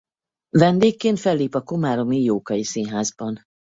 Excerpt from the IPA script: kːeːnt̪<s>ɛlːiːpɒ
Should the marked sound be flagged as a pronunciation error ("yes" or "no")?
yes